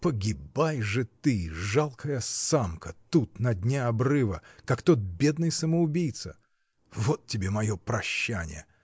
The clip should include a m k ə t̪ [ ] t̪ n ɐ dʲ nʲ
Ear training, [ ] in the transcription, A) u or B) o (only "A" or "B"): A